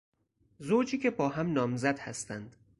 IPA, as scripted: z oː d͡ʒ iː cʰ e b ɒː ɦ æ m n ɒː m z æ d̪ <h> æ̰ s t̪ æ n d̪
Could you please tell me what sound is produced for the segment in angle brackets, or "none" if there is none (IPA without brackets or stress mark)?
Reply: h